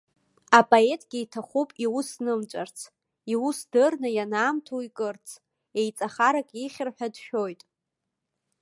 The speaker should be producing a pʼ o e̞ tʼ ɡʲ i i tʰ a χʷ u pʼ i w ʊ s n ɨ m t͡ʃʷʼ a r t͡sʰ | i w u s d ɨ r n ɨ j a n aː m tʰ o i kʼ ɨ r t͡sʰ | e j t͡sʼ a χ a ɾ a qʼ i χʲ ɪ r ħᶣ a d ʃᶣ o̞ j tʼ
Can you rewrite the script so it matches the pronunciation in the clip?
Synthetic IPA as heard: a pʼ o e̞ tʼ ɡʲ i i tʰ a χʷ u pʼ i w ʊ s n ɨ m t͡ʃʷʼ a r t͡sʰ | i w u s d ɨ r n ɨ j a n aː m tʰ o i kʼ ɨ r t͡sʰ | e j t͡sʼ a χ a ɾ a kʼ i χʲ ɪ r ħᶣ a d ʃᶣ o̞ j tʼ